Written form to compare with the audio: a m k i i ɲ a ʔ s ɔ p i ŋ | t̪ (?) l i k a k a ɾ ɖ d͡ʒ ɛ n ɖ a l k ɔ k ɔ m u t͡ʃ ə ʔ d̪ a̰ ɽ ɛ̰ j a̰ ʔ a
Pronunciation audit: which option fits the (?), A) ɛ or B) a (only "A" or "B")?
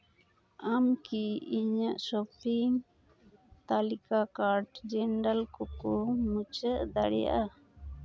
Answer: B